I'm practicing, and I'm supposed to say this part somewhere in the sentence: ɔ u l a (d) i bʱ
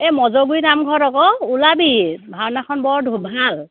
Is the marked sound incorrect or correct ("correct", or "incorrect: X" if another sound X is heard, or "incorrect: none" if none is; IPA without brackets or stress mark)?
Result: incorrect: b